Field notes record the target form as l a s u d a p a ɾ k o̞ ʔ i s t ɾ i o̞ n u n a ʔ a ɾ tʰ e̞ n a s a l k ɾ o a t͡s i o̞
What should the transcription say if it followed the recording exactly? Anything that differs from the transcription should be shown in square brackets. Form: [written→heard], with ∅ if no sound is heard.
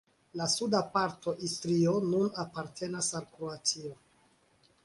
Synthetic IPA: l a s u d a p a ɾ [k→t] o̞ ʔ i s t ɾ i o̞ n u n a [ʔ→p] a ɾ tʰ e̞ n a s a l k ɾ o a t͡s i o̞